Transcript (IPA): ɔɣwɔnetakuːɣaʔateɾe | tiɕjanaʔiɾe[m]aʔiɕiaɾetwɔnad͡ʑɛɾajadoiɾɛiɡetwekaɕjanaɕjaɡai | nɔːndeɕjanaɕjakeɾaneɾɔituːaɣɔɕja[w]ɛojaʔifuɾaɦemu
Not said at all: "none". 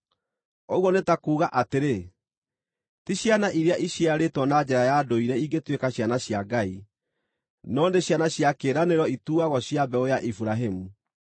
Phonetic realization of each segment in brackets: none, b

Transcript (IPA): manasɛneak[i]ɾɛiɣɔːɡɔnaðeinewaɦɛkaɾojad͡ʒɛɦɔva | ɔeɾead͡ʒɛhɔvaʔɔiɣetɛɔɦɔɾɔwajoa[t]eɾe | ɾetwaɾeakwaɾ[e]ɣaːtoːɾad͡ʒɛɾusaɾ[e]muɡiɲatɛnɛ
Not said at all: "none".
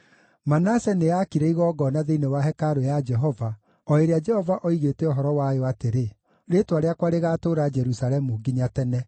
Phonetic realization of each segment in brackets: i, t, e, ɛ

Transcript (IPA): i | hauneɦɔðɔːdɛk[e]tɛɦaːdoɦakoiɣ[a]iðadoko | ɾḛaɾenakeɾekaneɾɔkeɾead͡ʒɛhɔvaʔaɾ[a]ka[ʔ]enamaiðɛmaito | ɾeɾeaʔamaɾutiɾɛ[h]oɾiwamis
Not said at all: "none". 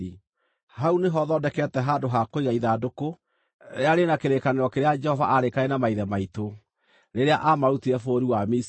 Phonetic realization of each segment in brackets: ɛ, a, e, none, f

